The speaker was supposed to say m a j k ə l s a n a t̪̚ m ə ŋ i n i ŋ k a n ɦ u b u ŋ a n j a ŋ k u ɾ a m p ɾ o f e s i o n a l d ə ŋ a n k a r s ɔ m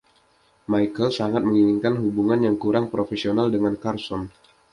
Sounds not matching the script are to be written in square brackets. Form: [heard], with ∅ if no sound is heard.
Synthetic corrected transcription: m a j k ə l s a [ŋ] a t̪̚ m ə ŋ i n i ŋ k a n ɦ u b u ŋ a n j a ŋ k u ɾ a [ŋ] p ɾ o f e s i o n a l d ə ŋ a n k a r s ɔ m